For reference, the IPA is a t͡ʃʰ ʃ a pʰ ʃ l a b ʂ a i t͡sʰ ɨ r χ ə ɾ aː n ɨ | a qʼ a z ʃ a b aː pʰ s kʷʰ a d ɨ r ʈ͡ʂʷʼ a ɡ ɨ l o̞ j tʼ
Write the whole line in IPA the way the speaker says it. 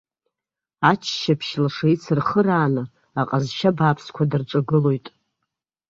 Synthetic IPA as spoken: a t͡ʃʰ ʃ a pʰ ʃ l a ʂ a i t͡sʰ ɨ r χ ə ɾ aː n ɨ | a qʼ a z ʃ a b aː pʰ s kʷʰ a d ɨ r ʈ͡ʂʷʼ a ɡ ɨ l o̞ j tʼ